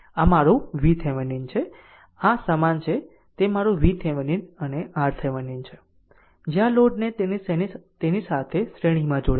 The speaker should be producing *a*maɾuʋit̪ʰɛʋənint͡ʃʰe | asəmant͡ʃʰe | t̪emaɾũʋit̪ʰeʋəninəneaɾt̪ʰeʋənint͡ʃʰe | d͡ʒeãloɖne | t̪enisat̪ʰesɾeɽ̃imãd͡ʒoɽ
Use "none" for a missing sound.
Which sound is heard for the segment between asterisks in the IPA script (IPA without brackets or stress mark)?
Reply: a